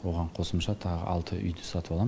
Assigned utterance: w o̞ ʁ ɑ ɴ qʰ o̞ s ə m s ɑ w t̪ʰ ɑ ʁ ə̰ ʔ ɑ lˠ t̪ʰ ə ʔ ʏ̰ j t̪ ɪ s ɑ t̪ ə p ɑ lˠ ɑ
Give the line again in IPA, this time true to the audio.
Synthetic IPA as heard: w o̞ ʁ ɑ ɴ qʰ o̞ s ə m ʃ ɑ t̪ʰ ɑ ʁ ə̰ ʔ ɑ lˠ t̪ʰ ə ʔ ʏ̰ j d̪ ɪ s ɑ t̪ ə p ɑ lˠ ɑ